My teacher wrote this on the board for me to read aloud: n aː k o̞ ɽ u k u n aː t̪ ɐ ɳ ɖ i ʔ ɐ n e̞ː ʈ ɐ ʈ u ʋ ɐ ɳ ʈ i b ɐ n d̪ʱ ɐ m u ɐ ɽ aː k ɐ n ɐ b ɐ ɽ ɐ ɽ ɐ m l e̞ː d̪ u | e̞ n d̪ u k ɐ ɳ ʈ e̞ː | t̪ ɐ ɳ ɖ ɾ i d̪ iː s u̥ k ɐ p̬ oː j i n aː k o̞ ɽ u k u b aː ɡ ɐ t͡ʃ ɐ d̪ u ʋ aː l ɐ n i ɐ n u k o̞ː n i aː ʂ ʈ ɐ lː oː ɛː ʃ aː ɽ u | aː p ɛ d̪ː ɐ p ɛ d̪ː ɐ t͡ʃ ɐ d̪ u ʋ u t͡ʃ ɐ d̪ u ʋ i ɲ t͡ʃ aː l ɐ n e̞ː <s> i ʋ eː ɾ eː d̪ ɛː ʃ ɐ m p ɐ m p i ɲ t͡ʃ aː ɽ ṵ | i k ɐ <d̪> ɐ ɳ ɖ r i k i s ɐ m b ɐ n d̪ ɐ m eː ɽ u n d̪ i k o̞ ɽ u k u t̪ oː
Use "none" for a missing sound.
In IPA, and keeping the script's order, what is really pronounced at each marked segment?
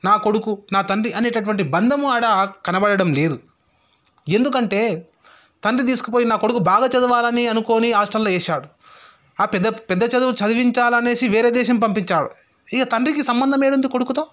s, t̪

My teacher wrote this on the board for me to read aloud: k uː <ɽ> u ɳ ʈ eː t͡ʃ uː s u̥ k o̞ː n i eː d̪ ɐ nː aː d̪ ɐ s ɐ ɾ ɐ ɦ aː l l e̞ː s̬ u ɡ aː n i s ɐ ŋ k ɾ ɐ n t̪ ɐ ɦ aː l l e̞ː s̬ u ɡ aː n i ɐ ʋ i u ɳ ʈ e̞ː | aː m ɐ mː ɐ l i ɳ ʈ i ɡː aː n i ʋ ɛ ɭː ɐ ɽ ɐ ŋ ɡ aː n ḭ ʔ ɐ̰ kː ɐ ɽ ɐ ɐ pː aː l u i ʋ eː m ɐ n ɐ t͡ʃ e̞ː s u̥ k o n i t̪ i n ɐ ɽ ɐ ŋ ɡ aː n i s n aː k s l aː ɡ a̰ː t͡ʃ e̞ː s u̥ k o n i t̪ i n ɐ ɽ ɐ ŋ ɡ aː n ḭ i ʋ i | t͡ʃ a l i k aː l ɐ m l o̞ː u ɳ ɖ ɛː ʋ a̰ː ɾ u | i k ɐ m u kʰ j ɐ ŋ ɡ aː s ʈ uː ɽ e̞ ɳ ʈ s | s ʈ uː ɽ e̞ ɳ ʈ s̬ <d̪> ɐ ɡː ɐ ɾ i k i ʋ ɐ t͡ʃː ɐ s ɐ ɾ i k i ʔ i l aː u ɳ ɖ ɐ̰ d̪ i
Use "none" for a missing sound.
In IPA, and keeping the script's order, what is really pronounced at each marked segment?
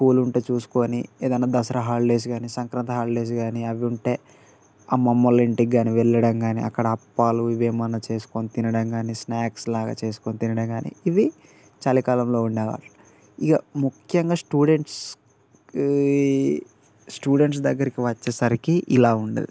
l, d̪

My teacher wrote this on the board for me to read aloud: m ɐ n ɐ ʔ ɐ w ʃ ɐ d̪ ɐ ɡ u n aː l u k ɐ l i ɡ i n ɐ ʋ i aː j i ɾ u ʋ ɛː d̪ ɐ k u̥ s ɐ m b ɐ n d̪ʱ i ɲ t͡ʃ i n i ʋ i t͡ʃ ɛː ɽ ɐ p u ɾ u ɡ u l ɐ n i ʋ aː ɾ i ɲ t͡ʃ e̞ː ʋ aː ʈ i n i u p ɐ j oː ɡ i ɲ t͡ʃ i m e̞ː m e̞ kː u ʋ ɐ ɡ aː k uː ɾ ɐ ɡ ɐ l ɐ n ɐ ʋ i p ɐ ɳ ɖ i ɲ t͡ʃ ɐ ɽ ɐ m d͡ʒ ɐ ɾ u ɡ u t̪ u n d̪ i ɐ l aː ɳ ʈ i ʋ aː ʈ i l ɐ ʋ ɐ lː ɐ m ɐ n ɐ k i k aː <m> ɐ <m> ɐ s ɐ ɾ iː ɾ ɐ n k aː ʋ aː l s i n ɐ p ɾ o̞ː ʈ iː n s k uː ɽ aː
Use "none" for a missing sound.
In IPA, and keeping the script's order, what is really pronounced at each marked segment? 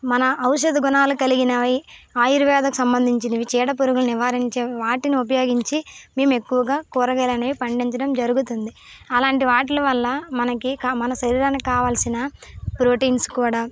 m, n

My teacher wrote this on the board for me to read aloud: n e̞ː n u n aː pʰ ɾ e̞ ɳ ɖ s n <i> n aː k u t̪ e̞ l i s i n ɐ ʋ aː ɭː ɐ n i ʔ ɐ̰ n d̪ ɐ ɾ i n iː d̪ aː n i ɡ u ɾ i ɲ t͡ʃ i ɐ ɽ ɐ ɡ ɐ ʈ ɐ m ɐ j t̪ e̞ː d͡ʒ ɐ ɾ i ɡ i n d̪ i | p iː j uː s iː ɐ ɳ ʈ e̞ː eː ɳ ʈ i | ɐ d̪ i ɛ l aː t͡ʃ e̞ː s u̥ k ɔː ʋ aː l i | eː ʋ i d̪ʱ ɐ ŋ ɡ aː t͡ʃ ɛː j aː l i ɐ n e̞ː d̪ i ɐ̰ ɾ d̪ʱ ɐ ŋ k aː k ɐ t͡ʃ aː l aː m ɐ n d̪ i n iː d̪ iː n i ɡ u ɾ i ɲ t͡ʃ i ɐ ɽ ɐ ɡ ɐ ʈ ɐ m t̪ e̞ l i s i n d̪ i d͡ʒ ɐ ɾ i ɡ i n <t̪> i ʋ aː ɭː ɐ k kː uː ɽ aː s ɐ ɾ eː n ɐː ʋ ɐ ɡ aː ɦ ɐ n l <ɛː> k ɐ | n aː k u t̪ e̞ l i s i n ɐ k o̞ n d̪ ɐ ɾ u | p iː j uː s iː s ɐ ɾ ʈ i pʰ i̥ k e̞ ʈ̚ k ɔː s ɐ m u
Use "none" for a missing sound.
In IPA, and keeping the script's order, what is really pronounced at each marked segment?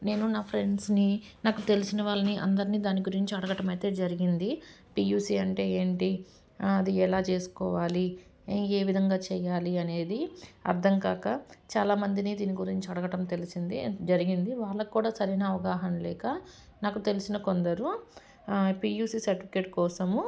i, d̪, ɛː

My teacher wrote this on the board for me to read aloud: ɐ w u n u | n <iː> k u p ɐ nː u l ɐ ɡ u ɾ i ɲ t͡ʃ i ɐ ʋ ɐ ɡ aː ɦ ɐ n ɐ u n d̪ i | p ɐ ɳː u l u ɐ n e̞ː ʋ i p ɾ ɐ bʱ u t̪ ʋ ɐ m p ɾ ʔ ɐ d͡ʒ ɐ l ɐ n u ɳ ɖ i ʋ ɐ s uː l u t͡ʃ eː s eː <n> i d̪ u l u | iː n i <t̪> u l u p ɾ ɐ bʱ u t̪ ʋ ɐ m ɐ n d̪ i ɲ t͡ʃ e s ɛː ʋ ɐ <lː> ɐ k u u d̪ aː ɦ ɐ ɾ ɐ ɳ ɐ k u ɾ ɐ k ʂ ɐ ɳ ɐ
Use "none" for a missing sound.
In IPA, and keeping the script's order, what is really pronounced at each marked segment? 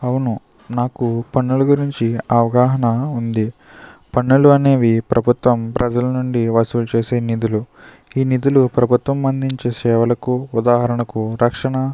aː, n, d̪, l

